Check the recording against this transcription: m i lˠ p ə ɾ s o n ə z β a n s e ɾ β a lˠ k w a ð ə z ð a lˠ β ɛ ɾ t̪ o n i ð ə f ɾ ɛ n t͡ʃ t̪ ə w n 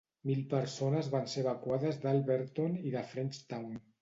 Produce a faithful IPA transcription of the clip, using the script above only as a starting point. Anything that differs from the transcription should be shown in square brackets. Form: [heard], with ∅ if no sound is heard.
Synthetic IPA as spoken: m i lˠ p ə ɾ s o n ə z β a n s e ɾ β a [∅] k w a ð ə z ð a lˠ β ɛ ɾ t̪ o n i ð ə f ɾ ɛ n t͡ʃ t̪ [a] w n